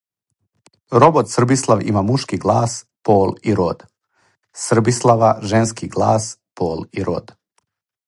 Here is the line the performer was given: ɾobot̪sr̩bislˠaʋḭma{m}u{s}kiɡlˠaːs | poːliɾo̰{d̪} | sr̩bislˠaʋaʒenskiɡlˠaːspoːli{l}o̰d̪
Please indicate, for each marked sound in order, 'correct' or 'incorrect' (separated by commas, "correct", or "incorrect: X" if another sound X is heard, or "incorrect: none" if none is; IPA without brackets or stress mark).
correct, incorrect: ʃ, correct, incorrect: ɾ